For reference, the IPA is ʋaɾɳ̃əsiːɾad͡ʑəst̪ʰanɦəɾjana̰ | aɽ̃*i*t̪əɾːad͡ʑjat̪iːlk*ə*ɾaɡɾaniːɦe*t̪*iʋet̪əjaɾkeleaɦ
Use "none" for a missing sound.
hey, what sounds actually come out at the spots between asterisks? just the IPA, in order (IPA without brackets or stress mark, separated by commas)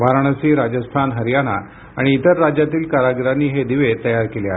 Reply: iː, a, d̪